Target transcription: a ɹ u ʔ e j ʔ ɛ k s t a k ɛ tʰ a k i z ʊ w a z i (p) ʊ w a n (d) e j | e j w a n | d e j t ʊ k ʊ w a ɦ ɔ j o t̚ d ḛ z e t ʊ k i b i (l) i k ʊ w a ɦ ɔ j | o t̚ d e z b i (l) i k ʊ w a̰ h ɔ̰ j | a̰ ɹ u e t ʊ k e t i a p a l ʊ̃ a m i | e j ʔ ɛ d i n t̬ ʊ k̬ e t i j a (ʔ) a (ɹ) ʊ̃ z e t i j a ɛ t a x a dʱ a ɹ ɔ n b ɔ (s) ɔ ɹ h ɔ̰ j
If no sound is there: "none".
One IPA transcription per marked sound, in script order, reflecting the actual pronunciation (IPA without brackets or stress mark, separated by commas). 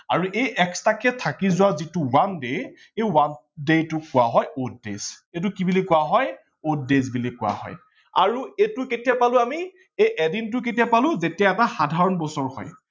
t, d, l, l, p, l, s